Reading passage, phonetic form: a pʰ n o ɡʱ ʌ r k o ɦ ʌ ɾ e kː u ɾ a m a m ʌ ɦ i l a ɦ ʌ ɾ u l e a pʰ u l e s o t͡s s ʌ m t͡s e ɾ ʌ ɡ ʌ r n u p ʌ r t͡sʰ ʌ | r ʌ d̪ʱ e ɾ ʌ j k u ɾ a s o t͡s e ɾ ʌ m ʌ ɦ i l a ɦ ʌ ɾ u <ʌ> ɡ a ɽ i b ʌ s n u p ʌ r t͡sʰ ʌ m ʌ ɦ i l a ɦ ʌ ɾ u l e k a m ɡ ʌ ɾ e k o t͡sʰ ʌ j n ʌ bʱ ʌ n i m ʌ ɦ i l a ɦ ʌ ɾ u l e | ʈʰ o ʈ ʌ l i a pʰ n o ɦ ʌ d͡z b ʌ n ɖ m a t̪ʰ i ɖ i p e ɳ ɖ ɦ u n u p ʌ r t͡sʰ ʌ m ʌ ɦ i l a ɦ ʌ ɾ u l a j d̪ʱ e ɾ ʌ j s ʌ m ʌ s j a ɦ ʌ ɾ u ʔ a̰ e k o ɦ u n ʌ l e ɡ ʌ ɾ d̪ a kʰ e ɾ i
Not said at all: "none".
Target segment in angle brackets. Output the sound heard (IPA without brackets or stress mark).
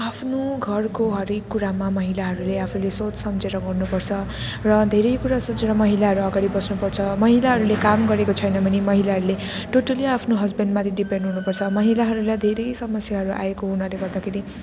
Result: ʌ